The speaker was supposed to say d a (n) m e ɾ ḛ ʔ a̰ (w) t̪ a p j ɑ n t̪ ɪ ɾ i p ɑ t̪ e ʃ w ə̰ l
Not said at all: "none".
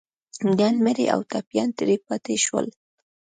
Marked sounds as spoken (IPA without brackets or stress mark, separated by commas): n, w